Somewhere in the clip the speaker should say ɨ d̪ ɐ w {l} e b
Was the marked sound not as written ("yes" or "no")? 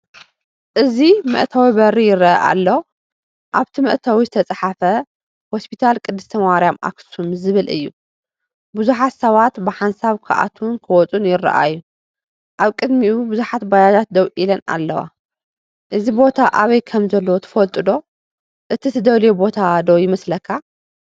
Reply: no